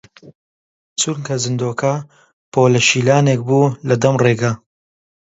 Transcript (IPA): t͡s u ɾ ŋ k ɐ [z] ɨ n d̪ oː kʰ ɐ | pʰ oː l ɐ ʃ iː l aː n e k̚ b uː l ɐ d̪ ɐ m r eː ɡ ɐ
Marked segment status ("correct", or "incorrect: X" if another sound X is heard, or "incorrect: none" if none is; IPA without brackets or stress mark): correct